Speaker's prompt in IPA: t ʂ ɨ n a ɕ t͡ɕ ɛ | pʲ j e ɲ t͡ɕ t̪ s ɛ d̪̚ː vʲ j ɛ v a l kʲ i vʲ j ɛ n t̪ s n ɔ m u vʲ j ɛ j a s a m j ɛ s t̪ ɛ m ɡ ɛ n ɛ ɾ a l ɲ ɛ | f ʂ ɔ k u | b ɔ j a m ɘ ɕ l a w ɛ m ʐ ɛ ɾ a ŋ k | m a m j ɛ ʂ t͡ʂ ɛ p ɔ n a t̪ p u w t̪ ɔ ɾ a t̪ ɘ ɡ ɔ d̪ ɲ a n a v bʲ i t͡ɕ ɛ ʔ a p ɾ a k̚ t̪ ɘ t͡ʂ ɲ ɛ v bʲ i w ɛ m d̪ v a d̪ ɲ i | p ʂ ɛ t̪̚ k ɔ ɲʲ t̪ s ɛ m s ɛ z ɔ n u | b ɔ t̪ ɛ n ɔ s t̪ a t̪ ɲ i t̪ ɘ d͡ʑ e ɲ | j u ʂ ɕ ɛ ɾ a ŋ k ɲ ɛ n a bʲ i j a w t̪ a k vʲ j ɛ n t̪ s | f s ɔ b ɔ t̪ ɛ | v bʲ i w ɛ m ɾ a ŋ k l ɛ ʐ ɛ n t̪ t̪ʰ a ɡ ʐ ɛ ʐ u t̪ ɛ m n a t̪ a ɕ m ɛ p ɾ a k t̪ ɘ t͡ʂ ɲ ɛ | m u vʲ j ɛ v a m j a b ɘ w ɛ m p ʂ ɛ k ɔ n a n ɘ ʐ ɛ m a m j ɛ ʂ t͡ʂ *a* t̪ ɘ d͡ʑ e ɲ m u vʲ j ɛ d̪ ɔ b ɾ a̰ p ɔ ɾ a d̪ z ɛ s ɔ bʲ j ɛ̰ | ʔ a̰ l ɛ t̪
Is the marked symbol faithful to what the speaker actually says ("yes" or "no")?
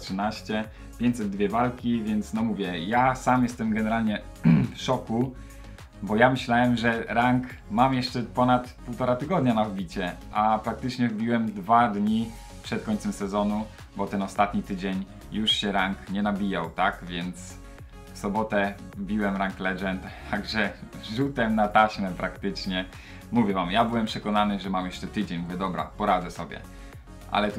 no